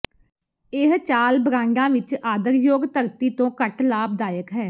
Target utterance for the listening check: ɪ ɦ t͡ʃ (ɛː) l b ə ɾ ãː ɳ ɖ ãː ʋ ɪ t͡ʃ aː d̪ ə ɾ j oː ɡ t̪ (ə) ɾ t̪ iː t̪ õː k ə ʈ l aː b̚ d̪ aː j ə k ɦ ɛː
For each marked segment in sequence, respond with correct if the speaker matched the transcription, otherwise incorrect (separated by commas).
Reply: incorrect, correct